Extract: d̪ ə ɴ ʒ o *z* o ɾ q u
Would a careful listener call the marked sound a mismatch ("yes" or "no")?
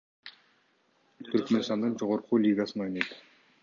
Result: yes